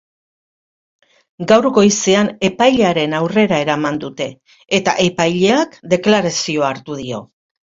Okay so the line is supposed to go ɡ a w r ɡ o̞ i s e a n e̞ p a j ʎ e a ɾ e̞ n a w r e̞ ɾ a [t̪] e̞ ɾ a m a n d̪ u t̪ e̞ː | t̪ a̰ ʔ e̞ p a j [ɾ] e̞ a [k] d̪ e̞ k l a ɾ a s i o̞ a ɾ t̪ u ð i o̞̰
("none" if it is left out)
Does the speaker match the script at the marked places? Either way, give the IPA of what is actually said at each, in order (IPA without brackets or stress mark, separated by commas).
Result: none, ʎ, k